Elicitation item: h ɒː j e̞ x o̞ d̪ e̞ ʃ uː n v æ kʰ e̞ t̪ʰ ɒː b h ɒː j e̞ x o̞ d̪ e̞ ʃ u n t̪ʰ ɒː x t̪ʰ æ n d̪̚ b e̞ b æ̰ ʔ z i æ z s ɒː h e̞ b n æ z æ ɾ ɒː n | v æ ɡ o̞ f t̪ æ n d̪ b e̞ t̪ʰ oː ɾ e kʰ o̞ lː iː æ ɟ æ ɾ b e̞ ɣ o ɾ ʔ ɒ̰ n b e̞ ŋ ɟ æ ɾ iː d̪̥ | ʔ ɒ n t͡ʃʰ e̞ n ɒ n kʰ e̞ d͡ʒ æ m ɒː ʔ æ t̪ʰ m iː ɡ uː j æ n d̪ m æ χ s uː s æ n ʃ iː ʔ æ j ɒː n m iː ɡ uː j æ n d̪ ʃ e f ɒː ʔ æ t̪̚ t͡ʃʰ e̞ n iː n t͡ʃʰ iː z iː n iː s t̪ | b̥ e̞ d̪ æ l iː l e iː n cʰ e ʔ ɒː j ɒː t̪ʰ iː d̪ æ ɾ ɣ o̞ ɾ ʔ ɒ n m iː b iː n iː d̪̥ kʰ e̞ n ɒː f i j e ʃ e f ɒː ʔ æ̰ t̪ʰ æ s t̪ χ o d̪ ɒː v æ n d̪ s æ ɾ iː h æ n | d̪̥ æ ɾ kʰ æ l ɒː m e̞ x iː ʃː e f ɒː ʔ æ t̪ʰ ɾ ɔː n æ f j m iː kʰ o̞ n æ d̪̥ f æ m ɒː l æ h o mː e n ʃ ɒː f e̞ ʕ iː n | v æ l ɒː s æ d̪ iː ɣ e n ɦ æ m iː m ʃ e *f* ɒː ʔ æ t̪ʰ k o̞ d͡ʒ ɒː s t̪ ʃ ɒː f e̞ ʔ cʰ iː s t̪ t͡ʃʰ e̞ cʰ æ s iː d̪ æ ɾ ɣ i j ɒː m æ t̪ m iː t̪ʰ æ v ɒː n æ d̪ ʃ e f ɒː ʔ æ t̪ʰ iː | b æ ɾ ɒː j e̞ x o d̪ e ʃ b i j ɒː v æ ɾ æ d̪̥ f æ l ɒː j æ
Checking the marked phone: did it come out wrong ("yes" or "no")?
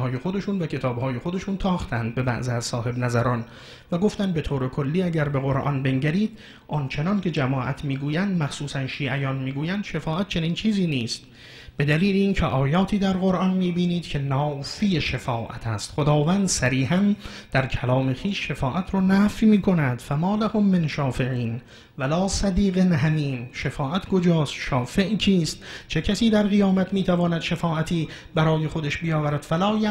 no